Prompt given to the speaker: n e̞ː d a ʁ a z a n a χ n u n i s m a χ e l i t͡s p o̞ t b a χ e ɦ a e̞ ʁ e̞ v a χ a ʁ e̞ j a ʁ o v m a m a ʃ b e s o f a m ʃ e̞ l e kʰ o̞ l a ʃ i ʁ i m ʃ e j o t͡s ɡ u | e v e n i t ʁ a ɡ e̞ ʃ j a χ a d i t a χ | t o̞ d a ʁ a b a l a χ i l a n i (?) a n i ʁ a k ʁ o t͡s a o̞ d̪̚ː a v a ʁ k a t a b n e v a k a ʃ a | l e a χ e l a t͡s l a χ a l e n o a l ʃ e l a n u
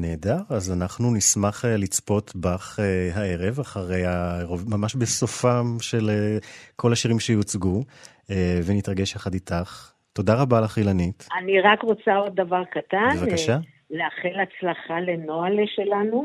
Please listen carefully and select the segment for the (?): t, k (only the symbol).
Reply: t